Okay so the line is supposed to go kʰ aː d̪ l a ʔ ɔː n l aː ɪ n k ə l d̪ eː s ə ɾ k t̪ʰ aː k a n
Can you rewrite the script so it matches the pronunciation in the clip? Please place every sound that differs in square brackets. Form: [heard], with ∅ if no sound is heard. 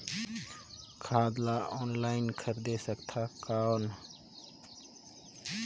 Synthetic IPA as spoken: kʰ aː d̪ l a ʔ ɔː n l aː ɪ n [kʰ] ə [ɾ] d̪ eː s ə [∅] k t̪ʰ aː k a n